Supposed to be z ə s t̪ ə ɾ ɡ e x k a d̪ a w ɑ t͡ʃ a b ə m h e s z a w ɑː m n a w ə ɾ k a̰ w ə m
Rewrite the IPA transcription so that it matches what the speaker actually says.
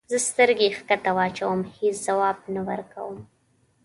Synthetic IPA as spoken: z ə s t̪ ə ɾ ɡ e x k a t̪ a w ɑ t͡ʃ a w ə m h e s z a w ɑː b n a w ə ɾ k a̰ w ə m